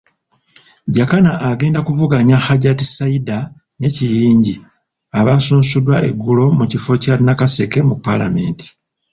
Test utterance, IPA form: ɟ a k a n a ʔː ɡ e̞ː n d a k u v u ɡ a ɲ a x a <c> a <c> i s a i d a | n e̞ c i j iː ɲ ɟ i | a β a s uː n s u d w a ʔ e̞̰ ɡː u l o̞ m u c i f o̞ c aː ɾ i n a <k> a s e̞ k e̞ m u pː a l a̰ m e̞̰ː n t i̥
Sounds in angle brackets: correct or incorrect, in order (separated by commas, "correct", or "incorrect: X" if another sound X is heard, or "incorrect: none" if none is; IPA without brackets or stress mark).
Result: incorrect: ɟ, incorrect: t, correct